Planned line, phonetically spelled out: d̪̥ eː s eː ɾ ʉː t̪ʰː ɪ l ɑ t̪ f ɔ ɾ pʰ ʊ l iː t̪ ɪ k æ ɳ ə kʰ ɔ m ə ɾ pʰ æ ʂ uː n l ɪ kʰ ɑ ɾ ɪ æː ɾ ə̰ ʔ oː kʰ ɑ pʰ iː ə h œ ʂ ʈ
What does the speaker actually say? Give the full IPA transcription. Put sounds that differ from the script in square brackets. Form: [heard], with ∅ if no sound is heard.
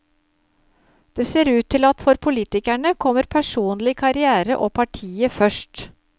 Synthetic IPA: d̪̥ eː s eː ɾ ʉː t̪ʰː ɪ l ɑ t̪ f ɔ ɾ pʰ ʊ l iː t̪ ɪ k æ ɳ ə kʰ ɔ m ə ɾ pʰ æ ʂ uː n l ɪ kʰ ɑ ɾ ɪ æː ɾ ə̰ ʔ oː [pʰ] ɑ [ʈʰ] iː ə [f] œ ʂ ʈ